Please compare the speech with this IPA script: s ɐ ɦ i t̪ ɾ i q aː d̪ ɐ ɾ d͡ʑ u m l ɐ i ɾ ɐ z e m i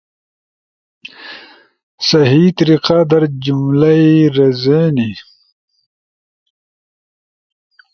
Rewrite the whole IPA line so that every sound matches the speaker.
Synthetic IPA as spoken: s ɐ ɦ i t̪ ɾ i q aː d̪ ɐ ɾ d͡ʑ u m l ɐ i ɾ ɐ z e n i

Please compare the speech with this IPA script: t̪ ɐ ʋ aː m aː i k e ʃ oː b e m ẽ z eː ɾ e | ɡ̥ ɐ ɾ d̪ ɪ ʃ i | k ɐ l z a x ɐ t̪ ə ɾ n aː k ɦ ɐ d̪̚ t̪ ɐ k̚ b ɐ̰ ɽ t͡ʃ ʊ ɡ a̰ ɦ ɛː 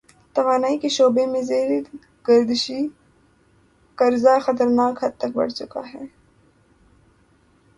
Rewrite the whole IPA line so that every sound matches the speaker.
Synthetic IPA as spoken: t̪ ɐ ʋ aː n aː i k e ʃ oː b e m ẽ z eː ɾ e | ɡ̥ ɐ ɾ d̪ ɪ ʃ i | k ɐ ɾ z a x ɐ t̪ ə ɾ n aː k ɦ ɐ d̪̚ t̪ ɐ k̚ b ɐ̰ ɽ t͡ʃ ʊ k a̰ ɦ ɛː

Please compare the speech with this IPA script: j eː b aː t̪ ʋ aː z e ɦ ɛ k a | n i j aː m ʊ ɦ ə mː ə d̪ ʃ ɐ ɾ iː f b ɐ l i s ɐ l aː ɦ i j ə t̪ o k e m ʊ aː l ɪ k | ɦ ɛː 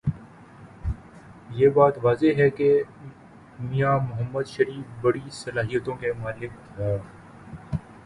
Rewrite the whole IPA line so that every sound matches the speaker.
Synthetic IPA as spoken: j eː b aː t̪ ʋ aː z e ɦ ɛ k e | m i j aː m ʊ ɦ ə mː ə d̪ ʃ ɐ ɾ iː f b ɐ ɽ i s ɐ l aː ɦ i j ə t̪ õ k e m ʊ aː l ɪ k | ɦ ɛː

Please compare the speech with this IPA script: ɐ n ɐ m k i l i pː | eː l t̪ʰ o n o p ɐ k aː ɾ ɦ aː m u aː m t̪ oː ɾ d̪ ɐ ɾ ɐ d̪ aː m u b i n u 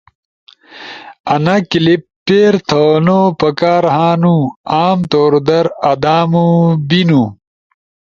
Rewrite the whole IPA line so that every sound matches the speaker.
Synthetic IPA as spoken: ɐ n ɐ k i l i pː | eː ɾ t̪ʰ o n o p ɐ k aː ɾ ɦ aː n u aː m t̪ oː ɾ d̪ ɐ ɾ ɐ d̪ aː m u b i n u

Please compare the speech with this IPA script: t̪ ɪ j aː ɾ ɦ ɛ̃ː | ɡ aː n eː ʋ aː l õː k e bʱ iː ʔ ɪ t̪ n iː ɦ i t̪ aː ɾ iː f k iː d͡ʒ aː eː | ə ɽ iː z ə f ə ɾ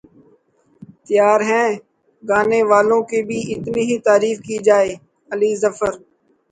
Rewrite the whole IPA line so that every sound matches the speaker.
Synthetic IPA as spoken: t̪ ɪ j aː ɾ ɦ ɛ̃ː | ɡ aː n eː ʋ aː l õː k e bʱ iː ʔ ɪ t̪ n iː ɦ i t̪ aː ɾ iː f k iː d͡ʒ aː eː | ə l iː z ə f ə ɾ

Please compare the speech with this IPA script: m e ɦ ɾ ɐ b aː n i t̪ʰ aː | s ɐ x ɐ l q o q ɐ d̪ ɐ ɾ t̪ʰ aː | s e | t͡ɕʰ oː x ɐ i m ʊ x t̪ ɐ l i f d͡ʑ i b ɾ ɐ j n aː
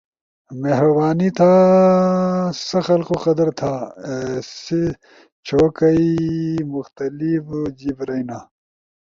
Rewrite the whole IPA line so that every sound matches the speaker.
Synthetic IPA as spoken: m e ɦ ɾ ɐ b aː n i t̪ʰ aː | s ɐ x ɐ l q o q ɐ d̪ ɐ ɾ t̪ʰ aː | s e | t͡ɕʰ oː k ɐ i m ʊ x t̪ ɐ l i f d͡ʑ i b ɾ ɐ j n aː

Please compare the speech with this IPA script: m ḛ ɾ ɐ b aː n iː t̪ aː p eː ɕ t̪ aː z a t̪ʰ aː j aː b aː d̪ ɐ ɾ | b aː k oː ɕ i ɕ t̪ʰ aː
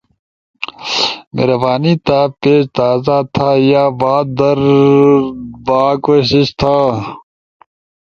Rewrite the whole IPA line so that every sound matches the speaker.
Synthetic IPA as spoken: m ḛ ɾ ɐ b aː n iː t̪ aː p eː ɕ t̪ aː z a t̪ʰ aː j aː b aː d̪ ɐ ɾ | b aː k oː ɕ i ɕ t̪ʰ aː

